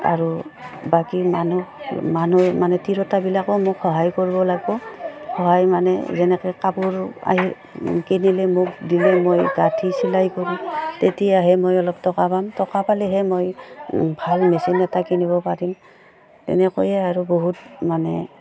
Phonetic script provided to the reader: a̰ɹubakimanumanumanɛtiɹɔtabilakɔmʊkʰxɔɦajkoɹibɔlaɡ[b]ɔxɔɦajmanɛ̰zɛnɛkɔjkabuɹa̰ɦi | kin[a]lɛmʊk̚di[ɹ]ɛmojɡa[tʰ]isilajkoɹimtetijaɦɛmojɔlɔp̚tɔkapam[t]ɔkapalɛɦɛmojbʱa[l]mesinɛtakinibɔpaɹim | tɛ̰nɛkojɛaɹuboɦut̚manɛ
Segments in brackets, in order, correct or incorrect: correct, incorrect, incorrect, correct, correct, correct

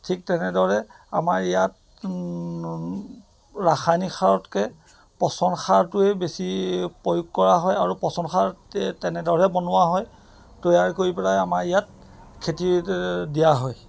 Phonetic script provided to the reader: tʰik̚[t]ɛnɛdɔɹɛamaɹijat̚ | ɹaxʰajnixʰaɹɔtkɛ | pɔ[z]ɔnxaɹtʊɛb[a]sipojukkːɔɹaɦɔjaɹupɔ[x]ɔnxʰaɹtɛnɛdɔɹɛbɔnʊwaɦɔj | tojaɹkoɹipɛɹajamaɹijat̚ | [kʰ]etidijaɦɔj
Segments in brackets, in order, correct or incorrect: correct, incorrect, incorrect, incorrect, correct

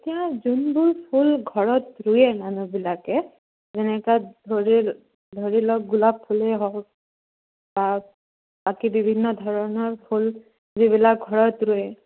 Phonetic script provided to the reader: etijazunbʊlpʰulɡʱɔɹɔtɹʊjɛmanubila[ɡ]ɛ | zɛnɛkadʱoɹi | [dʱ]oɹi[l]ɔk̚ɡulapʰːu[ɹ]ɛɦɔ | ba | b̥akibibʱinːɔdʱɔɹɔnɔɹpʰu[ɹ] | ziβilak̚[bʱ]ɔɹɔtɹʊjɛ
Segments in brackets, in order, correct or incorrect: incorrect, correct, correct, incorrect, incorrect, incorrect

